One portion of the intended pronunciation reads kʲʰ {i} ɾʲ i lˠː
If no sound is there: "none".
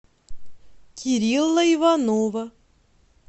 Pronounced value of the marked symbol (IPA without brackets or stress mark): i